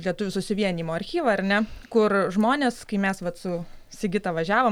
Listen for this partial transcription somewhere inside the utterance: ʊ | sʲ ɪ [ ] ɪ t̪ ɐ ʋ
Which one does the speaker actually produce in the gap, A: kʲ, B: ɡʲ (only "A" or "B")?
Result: B